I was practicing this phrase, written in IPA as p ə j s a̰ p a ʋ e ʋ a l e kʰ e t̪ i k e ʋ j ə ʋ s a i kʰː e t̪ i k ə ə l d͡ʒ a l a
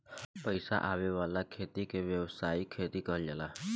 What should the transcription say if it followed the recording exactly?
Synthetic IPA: p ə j s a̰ ʔ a ʋ e ʋ a l a kʰ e t̪ i k e ʋ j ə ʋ s a i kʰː e t̪ i k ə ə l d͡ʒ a l a